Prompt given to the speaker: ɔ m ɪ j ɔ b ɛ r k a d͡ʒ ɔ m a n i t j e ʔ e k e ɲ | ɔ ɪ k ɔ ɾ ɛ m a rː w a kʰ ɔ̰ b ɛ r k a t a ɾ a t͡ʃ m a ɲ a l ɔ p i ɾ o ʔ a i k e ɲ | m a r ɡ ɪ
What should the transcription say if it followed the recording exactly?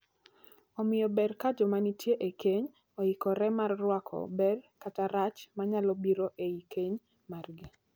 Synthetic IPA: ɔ m ɪ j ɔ b ɛ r k a d͡ʒ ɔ m a n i t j e ʔ e k e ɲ | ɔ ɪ k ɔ ɾ ɛ m a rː w a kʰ ɔ̰ b ɛ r k a t a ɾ a t͡ʃ m a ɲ a l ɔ b i ɾ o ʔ e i k e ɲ | m a r ɡ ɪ